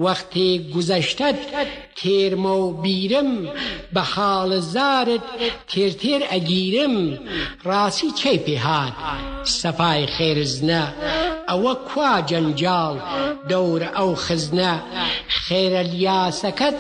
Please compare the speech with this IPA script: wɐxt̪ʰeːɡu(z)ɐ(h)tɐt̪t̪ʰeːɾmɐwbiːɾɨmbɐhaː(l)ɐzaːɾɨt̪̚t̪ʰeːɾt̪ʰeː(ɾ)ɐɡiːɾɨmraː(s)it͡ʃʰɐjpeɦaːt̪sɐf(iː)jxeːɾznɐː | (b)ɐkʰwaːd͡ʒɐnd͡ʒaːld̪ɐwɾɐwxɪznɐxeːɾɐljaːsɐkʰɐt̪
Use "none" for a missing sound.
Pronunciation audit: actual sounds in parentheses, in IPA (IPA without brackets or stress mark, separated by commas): z, ʃ, l, ɾ, s, aː, w